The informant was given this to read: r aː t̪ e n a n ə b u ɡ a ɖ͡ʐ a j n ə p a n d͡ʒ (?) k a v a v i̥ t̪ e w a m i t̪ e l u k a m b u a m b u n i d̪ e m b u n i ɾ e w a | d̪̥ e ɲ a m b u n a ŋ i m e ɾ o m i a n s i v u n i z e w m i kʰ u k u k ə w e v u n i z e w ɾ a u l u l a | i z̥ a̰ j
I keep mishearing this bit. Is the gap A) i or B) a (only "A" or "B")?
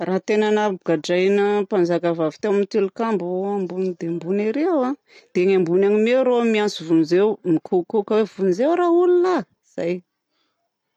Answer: B